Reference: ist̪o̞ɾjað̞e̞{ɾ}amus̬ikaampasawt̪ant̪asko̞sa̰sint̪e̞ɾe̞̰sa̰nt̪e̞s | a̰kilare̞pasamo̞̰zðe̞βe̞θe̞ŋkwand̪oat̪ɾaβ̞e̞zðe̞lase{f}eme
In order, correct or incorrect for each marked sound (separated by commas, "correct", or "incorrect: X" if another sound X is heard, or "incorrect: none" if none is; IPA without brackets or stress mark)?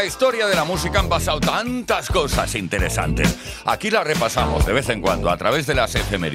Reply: incorrect: l, correct